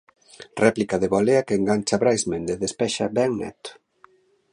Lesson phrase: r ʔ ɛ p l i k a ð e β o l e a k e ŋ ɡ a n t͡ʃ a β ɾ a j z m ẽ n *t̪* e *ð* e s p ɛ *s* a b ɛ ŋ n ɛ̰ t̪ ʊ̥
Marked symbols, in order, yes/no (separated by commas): no, yes, no